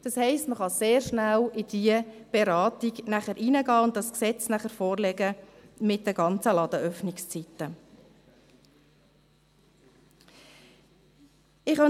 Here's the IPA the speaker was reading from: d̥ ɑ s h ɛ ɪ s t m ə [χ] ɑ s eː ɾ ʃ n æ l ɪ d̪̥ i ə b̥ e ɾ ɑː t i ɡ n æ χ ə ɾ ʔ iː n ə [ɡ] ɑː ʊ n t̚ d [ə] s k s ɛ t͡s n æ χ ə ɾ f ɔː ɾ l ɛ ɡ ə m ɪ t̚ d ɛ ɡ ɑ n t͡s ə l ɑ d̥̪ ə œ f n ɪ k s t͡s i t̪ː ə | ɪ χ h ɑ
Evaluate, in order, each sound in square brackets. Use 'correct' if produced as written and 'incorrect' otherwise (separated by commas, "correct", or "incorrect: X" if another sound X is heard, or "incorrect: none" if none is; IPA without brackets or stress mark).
correct, correct, incorrect: ɑ